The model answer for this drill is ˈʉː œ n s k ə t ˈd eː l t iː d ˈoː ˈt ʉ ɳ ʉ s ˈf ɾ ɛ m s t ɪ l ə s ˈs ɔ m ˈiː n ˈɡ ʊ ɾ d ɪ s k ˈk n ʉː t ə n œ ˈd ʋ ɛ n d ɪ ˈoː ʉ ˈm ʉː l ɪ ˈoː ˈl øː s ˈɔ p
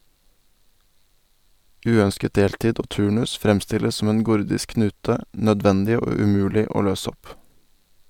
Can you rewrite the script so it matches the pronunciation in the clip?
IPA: ˈʉː œ n s k ə t ˈd eː l t iː d ˈoː ˈt ʉː ɳ ʉ s ˈf ɾ ɛ m s t ɪ l ə s ˈs ɔ m ˈeː n ˈɡ ʊ ɾ d ɪ s k ˈk n ʉː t ə n œ ˈd ʋ ɛ n d ɪ ˈoː ʉ ˈm ʉː l ɪ ˈoː ˈl øː s ˈɔ p